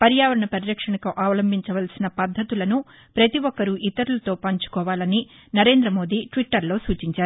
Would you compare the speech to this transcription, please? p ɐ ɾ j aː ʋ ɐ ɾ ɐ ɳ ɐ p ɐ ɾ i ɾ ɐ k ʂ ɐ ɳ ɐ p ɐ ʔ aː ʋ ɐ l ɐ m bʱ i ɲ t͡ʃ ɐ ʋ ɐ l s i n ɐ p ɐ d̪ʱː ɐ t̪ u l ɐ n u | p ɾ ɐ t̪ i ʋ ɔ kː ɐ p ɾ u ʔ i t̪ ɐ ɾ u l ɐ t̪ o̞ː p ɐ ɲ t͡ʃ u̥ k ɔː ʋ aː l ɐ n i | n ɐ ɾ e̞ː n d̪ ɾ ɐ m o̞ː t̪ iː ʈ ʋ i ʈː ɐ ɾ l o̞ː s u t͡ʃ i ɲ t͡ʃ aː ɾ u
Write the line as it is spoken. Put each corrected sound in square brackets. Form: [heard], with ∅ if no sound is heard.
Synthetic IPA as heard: p ɐ ɾ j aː ʋ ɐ ɾ ɐ ɳ ɐ p ɐ ɾ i ɾ ɐ k ʂ ɐ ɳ ɐ [k] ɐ ʔ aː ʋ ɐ l ɐ m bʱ i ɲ t͡ʃ ɐ ʋ ɐ l s i n ɐ p ɐ d̪ʱː ɐ t̪ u l ɐ n u | p ɾ ɐ t̪ i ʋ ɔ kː ɐ [∅] ɾ u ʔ i t̪ ɐ ɾ u l ɐ t̪ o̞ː p ɐ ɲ t͡ʃ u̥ k ɔː ʋ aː l ɐ n i | n ɐ ɾ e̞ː n d̪ ɾ ɐ m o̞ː [d̪] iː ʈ ʋ i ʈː ɐ ɾ l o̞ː s [uː] t͡ʃ i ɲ t͡ʃ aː ɾ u